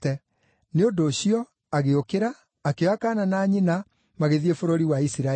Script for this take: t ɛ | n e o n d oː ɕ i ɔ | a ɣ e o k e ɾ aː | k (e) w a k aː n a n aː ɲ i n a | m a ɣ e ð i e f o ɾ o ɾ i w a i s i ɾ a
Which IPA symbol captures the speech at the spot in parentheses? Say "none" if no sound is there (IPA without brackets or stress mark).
e